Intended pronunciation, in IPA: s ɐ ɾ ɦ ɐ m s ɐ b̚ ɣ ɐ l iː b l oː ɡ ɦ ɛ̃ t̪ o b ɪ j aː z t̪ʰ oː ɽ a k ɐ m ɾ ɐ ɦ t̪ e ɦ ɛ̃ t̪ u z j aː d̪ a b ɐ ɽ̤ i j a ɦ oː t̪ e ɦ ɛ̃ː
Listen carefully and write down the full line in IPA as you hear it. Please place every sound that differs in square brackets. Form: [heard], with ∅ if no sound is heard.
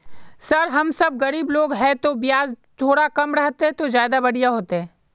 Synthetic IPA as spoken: s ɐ ɾ ɦ ɐ m s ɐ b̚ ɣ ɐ [ɾ] iː b l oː ɡ ɦ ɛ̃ t̪ o b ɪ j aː z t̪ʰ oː ɽ a k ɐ m ɾ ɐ ɦ t̪ e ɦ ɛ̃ t̪ [o] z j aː d̪ a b ɐ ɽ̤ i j a ɦ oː t̪ e ɦ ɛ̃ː